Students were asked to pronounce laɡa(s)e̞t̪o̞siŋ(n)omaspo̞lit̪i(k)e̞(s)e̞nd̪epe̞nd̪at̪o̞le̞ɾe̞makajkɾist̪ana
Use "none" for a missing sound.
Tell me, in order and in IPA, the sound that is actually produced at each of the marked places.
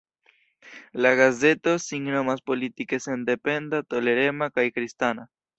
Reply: z, n, k, s

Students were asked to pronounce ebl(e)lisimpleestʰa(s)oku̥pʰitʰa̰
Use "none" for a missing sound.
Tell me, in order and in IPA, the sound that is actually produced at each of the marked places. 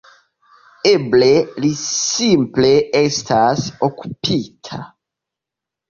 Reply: e, s

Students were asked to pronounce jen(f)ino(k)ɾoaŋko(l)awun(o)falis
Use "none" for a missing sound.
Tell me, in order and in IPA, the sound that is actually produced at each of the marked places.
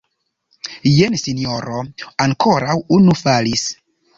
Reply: s, none, ɾ, u

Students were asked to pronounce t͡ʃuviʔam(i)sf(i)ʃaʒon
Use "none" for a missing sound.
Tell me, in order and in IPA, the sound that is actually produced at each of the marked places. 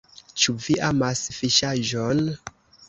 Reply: a, i

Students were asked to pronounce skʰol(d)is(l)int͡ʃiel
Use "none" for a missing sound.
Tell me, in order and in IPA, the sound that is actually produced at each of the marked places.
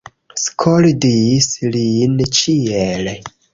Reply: d, l

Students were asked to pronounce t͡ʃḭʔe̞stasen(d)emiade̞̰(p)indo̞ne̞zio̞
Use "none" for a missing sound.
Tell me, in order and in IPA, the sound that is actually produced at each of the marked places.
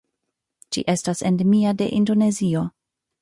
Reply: d, ʔ

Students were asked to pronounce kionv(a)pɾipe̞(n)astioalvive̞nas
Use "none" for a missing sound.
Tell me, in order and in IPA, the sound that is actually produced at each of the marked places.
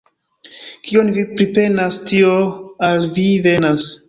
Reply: i, n

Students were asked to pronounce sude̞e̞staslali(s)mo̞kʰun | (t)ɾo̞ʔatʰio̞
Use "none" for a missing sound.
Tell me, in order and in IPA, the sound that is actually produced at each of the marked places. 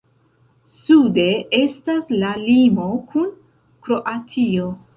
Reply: none, k

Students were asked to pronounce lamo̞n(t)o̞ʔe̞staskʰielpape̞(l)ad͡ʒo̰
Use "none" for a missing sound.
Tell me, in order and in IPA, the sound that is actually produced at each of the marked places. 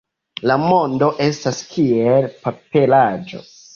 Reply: d, l

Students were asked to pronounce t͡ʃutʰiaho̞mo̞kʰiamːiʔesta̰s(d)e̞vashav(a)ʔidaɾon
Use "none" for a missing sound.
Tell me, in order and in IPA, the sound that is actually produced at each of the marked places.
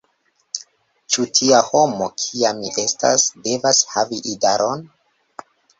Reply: d, i

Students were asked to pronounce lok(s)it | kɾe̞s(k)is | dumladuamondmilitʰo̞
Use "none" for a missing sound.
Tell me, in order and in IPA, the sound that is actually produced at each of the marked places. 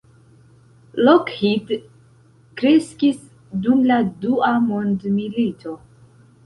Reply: h, k

